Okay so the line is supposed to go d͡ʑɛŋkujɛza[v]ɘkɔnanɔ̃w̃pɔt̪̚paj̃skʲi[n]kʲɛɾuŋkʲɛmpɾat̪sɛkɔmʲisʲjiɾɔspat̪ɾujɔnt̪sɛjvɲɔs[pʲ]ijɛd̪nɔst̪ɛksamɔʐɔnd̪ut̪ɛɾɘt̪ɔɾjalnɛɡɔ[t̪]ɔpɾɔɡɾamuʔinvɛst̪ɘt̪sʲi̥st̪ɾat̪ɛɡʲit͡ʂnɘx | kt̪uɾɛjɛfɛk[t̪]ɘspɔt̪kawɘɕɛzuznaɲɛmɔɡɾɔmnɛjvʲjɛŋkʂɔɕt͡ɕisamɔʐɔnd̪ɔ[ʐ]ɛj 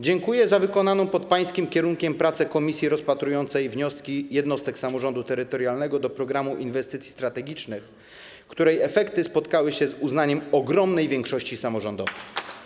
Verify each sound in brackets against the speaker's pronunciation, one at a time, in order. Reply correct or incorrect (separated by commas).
correct, incorrect, incorrect, incorrect, correct, incorrect